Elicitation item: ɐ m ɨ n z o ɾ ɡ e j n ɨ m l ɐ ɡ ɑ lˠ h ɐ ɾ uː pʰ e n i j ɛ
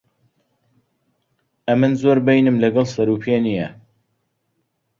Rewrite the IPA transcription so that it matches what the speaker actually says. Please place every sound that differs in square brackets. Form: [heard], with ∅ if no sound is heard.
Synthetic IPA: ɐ m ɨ n z o ɾ [b] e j n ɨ m l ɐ ɡ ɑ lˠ [s] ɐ ɾ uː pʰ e n i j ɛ

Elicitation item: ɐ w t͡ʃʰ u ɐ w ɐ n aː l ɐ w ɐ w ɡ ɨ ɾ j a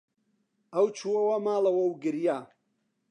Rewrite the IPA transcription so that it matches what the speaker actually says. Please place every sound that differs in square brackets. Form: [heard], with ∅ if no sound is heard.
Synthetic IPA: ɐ w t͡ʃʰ u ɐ w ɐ [m] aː l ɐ w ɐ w ɡ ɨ ɾ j a

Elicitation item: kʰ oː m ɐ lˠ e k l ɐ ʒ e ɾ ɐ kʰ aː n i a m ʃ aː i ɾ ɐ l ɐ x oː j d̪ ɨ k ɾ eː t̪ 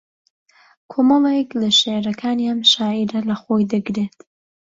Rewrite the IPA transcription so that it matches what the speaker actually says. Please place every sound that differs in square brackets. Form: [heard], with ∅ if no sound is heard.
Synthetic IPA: kʰ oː m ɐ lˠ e k l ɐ [ʃ] e ɾ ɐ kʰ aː n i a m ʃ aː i ɾ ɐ l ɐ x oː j d̪ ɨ [ɡ] ɾ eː t̪

